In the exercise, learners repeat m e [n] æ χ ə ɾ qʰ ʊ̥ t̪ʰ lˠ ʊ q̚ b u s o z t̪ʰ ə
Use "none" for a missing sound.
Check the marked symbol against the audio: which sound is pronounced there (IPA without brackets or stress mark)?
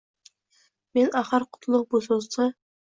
n